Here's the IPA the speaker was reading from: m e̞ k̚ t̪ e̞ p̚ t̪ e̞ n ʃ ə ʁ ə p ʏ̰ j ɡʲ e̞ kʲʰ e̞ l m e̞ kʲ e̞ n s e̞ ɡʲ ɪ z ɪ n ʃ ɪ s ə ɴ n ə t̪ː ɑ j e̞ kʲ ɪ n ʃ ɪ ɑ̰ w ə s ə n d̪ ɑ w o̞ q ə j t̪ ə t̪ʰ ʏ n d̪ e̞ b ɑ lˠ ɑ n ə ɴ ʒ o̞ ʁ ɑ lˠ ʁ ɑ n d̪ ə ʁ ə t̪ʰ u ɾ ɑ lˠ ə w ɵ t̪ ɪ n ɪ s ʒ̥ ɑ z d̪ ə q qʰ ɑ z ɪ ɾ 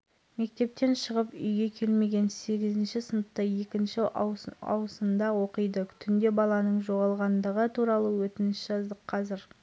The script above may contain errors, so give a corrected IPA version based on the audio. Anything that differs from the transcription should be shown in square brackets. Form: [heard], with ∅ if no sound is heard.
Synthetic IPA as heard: m e̞ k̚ t̪ e̞ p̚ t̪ e̞ n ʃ ə ʁ ə p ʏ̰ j ɡʲ e̞ kʲʰ e̞ l m e̞ [ɡʲ] e̞ n s e̞ ɡʲ ɪ z ɪ n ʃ ɪ s ə [∅] n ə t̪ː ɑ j e̞ kʲ ɪ n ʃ ɪ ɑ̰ w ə s ə n d̪ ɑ w o̞ q ə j [d̪] ə t̪ʰ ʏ n d̪ e̞ b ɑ lˠ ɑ n ə ɴ ʒ o̞ ʁ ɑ lˠ ʁ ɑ n d̪ ə ʁ ə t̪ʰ u ɾ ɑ lˠ ə w ɵ t̪ ɪ n ɪ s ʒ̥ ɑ z d̪ ə q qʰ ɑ z ɪ ɾ